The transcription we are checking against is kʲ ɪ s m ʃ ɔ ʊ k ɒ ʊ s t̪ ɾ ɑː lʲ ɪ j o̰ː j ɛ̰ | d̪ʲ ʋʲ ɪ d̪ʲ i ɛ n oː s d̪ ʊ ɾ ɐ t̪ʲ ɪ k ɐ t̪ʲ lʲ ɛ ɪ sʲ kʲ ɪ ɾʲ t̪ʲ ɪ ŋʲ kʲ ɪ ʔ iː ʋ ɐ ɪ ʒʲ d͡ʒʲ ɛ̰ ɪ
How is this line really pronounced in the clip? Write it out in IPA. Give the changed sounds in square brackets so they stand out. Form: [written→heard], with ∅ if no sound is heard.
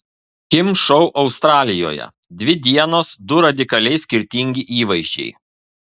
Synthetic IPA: kʲ ɪ [s→∅] m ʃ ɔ ʊ [k→ʔ] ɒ ʊ s t̪ ɾ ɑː lʲ ɪ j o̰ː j ɛ̰ | d̪ʲ ʋʲ ɪ d̪ʲ i ɛ n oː s d̪ ʊ ɾ ɐ [t̪ʲ→d̪ʲ] ɪ k ɐ [t̪ʲ→∅] lʲ ɛ ɪ sʲ kʲ ɪ ɾʲ t̪ʲ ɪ ŋʲ [kʲ→ɡʲ] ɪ ʔ iː ʋ ɐ ɪ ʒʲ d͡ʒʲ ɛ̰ ɪ